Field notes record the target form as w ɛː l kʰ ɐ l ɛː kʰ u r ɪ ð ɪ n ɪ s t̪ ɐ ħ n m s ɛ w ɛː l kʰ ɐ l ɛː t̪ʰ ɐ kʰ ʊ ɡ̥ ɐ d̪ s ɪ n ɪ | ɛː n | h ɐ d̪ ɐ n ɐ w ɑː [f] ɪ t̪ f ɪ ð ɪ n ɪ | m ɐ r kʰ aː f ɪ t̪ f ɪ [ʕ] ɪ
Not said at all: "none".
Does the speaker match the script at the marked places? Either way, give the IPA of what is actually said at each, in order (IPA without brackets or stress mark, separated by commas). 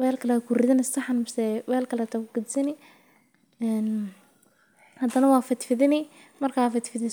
f, ð